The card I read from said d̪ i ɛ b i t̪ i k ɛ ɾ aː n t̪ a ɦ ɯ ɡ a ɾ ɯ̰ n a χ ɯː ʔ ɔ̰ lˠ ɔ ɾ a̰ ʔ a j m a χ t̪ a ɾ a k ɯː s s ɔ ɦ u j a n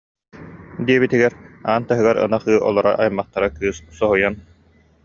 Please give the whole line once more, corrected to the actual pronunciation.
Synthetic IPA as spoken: d̪ i ɛ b i t̪ i ɡ ɛ ɾ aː n t̪ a ɦ ɯ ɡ a ɾ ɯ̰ n a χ ɯː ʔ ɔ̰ lˠ ɔ ɾ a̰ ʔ a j m a χ t̪ a ɾ a k ɯː s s ɔ ɦ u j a n